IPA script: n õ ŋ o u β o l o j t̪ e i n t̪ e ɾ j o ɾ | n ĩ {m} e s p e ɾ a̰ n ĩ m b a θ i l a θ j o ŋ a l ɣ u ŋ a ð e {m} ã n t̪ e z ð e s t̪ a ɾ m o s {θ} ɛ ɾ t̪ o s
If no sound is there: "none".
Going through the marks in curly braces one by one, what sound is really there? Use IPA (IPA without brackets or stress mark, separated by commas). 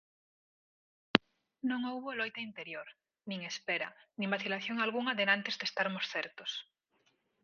ŋ, n, θ